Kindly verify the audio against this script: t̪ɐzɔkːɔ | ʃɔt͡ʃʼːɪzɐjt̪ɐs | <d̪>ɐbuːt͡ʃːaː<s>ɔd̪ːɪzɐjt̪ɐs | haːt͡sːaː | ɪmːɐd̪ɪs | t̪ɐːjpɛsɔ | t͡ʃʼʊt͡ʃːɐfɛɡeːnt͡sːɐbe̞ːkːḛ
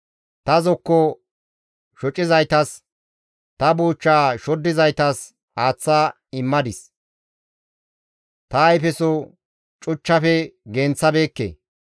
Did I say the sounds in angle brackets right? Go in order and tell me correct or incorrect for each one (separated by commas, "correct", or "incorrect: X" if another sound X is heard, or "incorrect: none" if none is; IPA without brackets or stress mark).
incorrect: t̪, incorrect: ʃ